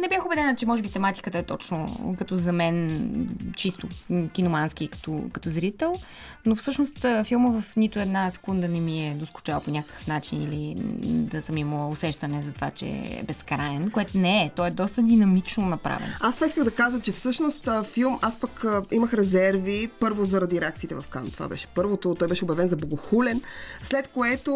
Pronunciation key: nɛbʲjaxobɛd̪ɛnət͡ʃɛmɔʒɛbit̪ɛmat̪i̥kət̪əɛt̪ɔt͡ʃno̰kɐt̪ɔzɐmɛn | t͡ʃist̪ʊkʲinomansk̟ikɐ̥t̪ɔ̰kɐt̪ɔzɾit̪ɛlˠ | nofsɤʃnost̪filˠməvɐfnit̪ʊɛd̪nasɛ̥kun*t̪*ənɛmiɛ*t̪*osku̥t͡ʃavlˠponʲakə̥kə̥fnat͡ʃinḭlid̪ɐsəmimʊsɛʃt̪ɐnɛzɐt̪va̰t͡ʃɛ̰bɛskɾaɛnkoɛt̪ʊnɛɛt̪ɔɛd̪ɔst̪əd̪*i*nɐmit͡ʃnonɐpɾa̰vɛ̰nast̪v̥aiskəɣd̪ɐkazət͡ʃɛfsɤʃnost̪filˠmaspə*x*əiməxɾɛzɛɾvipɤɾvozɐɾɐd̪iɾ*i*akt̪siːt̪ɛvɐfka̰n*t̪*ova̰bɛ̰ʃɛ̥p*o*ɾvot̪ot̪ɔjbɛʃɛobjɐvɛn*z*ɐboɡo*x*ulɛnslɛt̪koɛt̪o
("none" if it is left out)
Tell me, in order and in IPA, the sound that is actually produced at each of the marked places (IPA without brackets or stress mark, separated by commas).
d̪, d̪, i, k, ɛ, t̪, ɤ, z, x